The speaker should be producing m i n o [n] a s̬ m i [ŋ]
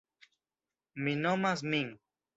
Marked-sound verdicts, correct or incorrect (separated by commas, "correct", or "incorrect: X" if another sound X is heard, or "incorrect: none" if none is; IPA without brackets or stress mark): incorrect: m, correct